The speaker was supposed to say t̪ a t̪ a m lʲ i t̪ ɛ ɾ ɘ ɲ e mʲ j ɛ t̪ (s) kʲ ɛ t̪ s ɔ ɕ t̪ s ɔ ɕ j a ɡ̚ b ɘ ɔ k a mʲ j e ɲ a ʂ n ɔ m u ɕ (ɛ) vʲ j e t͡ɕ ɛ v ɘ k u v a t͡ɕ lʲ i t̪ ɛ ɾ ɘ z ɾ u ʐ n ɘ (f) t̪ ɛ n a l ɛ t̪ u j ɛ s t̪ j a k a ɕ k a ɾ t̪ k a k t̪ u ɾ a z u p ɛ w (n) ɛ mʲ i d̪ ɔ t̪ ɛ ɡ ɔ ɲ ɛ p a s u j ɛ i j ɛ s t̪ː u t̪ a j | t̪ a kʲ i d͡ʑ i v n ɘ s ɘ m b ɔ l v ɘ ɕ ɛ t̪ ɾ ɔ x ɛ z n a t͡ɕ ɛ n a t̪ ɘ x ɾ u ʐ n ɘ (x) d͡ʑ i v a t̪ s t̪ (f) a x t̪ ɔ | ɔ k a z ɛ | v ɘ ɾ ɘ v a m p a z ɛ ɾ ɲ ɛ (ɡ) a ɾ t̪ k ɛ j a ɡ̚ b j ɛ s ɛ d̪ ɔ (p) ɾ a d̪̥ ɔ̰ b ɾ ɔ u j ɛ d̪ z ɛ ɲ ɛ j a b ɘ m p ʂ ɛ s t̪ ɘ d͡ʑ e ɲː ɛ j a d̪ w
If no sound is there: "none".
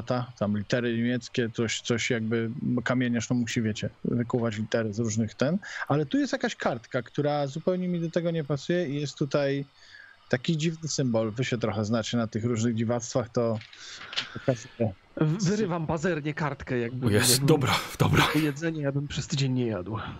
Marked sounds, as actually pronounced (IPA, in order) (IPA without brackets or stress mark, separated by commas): s, i, x, ɲ, ɣ, f, k, b